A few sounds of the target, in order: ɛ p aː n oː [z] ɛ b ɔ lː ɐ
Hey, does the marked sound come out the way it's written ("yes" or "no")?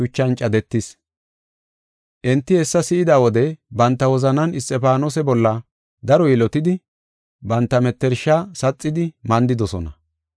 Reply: no